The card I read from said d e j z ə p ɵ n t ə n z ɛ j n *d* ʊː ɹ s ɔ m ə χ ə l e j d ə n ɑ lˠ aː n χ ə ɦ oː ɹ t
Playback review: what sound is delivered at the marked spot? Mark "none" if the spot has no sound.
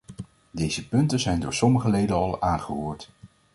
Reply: d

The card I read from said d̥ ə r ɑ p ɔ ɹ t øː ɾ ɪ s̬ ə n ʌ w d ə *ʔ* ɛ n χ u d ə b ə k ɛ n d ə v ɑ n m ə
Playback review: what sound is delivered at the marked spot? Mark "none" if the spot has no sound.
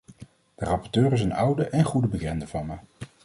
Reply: ʔ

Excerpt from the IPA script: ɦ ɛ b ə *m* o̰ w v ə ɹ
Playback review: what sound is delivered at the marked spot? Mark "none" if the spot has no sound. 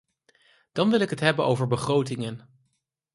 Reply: n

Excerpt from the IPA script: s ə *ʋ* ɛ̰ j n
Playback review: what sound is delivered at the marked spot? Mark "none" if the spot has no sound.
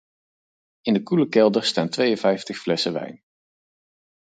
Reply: ʋ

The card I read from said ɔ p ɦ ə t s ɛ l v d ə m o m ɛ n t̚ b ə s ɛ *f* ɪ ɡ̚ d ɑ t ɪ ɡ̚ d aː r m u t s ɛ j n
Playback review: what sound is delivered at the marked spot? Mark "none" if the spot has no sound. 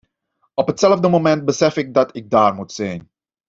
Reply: f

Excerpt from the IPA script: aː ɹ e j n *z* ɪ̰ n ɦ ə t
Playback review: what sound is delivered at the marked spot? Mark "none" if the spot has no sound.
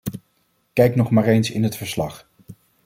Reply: s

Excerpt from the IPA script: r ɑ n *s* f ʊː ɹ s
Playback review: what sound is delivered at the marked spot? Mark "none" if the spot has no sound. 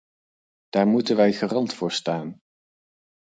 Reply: t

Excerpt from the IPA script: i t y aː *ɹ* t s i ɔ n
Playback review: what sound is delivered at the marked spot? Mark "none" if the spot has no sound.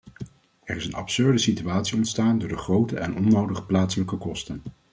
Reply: none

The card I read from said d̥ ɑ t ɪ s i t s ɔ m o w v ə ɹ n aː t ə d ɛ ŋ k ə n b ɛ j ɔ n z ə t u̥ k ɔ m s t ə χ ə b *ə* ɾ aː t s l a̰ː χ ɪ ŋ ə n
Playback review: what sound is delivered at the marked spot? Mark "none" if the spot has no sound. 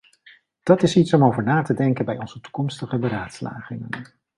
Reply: ə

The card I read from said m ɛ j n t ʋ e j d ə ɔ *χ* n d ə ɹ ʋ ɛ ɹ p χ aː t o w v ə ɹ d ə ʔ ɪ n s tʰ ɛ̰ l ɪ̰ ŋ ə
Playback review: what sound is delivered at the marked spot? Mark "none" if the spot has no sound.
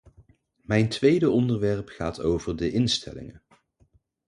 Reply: none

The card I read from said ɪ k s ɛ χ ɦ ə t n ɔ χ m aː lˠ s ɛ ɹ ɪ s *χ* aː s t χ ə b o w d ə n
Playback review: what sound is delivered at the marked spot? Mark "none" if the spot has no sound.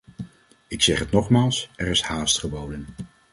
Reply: h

